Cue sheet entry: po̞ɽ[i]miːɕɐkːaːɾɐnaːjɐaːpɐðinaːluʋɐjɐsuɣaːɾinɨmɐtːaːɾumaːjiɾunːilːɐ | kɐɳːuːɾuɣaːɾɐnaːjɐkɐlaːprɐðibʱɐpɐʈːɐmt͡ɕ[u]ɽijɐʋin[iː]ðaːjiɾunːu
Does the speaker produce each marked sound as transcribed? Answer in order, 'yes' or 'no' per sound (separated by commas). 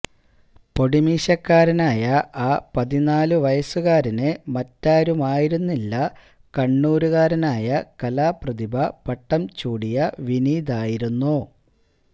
yes, no, yes